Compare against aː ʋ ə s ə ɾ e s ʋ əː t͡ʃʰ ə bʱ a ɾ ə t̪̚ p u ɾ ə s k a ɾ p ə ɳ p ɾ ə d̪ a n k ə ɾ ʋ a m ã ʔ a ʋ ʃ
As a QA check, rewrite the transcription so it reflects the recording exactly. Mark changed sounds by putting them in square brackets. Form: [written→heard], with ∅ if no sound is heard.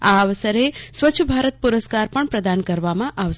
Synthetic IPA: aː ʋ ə s ə ɾ e s ʋ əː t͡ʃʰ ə bʱ a ɾ ə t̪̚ p u ɾ ə s k a ɾ p ə ɳ p ɾ ə d̪ a n k ə ɾ ʋ a m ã ʔ a ʋ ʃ

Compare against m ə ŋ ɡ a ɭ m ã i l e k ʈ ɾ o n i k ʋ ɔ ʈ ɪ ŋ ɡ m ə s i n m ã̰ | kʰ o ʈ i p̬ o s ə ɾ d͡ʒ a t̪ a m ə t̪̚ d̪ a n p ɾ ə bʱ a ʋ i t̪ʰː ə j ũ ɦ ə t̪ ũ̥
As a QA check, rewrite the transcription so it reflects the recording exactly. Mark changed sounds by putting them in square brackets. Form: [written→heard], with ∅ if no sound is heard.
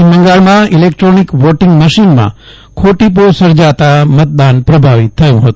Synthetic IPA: m ə ŋ ɡ a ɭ m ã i l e k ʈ ɾ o n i k ʋ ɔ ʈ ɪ ŋ ɡ m ə [s→ʃ] i n m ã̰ | kʰ o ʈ i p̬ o s ə ɾ d͡ʒ a t̪ a m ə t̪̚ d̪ a n p ɾ ə bʱ a ʋ i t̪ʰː ə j ũ ɦ ə t̪ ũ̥

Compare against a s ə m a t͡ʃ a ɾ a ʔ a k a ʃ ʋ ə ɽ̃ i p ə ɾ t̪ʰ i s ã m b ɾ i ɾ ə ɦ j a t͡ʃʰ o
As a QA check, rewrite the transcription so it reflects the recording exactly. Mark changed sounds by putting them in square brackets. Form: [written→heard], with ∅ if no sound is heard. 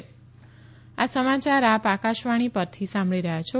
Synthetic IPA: a s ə m a t͡ʃ a ɾ a [ʔ→p] a k a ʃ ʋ [ə→a] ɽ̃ i p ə ɾ t̪ʰ i s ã m b [ɾ→ɭ] i ɾ ə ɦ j a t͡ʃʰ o

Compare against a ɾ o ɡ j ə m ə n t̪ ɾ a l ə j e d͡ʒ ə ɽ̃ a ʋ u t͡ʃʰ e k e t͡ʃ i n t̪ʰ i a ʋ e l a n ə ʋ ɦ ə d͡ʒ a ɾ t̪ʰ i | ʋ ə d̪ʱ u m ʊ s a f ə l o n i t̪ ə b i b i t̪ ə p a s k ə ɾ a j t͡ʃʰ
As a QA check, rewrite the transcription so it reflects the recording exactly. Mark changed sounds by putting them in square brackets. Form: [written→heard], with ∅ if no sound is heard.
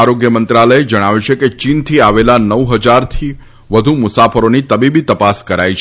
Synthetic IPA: a ɾ o ɡ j ə m ə n t̪ ɾ a l ə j e d͡ʒ ə ɽ̃ a ʋ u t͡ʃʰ e k e t͡ʃ i n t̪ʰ i a ʋ e l a n ə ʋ ɦ ə d͡ʒ a ɾ t̪ʰ i | ʋ ə d̪ʱ u m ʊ s a f ə [l→ɾ] o n i t̪ ə b i b i t̪ ə p a s k ə ɾ a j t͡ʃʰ

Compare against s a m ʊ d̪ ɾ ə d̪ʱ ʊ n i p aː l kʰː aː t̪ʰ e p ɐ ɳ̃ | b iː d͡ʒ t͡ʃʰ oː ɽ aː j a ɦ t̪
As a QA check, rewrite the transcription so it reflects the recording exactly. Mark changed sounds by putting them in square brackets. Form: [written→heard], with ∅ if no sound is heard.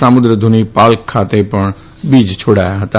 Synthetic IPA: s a m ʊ d̪ ɾ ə d̪ʱ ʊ n i p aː l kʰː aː [t̪ʰ→t̪] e p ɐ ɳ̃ | b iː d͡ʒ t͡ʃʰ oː ɽ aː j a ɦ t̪

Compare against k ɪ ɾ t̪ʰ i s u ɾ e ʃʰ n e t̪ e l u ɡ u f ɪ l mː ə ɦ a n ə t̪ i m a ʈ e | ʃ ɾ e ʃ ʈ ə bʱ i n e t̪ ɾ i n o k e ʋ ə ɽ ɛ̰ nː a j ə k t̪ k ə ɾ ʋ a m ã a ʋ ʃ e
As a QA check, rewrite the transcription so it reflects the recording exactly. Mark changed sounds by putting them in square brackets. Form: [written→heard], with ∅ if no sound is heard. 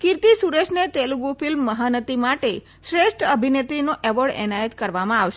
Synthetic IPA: k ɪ ɾ [t̪ʰ→t̪] i s u ɾ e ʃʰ n e t̪ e l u ɡ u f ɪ l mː ə ɦ a n ə t̪ i m a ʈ e | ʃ ɾ e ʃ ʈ ə bʱ i n e t̪ ɾ i n o [k→ʔ] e ʋ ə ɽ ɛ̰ [nː→n] a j ə [k→∅] t̪ k ə ɾ ʋ a m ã a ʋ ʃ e

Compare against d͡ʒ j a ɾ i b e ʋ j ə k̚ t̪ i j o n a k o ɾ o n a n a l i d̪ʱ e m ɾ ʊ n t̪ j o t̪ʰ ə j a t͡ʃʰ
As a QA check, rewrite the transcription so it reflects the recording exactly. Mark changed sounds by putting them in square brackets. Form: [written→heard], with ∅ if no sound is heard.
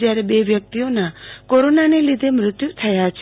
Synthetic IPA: d͡ʒ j a ɾ [i→e] b e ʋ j ə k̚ t̪ i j o n a k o ɾ o n a n [a→e] l i d̪ʱ e m ɾ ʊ [n→∅] t̪ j [o→u] t̪ʰ ə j a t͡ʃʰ

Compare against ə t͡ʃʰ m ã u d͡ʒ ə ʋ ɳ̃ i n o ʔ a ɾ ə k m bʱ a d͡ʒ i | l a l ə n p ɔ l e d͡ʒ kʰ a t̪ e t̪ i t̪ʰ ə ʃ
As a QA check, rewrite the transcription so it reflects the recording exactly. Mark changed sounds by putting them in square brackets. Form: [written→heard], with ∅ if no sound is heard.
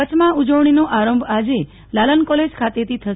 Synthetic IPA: ə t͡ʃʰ m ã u d͡ʒ ə ʋ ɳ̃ i n o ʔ a ɾ ə [k→∅] m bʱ a d͡ʒ [i→e] | l a l ə n [p→k] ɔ l e d͡ʒ kʰ a t̪ e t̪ i t̪ʰ ə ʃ

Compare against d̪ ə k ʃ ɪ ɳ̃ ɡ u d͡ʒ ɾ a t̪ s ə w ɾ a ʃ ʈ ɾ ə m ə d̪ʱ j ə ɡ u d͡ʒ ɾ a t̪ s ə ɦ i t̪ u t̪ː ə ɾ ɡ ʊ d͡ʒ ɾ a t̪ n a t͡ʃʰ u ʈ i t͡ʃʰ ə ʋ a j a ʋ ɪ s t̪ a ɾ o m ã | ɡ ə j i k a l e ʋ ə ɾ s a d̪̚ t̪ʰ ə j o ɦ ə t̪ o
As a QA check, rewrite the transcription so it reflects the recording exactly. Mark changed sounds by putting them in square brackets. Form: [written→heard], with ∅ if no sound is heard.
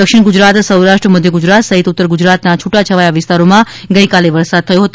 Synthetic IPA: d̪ ə k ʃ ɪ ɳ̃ ɡ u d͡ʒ ɾ a t̪ s ə w ɾ a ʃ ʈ ɾ ə m ə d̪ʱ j ə ɡ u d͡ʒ ɾ a t̪ s ə ɦ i t̪ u t̪ː ə ɾ ɡ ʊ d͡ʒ ɾ a t̪ n a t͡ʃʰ u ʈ [i→a] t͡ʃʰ ə ʋ a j a ʋ ɪ s t̪ a ɾ o m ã | ɡ ə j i k a l e ʋ ə ɾ s a d̪̚ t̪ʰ ə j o ɦ ə t̪ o

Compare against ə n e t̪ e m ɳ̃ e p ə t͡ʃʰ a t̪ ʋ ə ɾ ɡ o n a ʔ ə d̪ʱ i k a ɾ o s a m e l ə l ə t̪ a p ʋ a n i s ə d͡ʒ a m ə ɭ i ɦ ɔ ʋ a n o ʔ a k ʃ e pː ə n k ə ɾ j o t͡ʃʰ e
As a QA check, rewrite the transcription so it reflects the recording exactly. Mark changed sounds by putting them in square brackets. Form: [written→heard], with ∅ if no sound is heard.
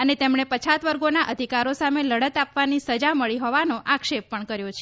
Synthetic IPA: ə n e t̪ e m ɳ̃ e p ə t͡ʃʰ a t̪ ʋ ə ɾ ɡ o n a ʔ ə d̪ʱ i k a ɾ o s a m e l ə [l→ɽ] ə t̪ a p ʋ a n i s ə d͡ʒ a m ə ɭ i ɦ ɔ ʋ a n o ʔ a k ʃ e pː ə [n→ɳ] k ə ɾ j o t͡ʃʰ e

